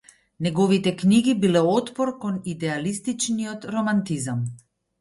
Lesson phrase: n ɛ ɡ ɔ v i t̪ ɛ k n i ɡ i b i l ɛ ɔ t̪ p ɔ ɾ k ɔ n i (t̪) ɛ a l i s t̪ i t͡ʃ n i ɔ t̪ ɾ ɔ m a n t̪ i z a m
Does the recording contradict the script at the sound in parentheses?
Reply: yes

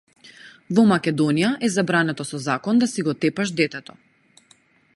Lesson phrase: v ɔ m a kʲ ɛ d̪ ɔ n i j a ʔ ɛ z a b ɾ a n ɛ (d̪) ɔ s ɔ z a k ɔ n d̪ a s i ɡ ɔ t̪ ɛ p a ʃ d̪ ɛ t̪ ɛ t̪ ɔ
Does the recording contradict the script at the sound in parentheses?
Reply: yes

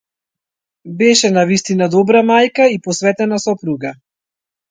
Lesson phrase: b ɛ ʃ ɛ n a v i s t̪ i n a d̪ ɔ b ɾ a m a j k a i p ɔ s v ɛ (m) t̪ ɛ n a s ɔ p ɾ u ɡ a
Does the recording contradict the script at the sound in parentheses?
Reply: yes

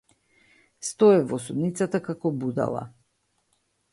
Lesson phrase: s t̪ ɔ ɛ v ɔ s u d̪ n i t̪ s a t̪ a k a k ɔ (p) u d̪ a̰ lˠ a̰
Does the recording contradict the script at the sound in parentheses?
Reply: yes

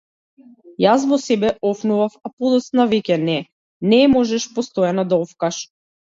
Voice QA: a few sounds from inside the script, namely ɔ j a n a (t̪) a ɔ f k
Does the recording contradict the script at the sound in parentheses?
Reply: yes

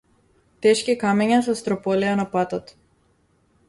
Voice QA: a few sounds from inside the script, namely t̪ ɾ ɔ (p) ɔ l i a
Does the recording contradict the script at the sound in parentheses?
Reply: no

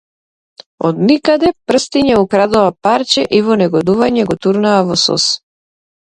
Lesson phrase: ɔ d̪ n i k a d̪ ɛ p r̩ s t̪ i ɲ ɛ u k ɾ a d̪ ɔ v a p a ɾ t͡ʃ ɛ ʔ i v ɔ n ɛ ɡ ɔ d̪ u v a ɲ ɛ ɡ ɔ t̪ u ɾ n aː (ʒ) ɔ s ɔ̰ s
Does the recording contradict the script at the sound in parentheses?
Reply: yes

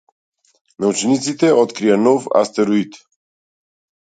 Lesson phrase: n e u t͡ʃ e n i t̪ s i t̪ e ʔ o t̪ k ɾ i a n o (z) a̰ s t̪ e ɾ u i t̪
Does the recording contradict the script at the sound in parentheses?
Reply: yes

